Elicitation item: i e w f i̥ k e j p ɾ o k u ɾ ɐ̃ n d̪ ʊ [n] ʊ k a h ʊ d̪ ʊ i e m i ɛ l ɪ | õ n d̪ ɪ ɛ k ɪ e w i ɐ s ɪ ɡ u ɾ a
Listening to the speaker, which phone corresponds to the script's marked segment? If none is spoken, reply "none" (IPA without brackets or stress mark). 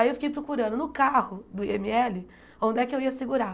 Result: n